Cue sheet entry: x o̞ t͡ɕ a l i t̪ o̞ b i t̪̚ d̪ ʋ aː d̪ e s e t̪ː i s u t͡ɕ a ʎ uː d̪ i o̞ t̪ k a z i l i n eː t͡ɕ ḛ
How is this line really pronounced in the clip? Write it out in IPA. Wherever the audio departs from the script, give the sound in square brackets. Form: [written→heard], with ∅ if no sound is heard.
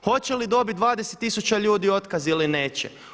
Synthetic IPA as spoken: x o̞ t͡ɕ [a→e] l i [t̪→d̪] o̞ b i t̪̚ d̪ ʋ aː d̪ e s e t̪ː i s u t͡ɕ a ʎ uː d̪ i o̞ t̪ k a z i l i n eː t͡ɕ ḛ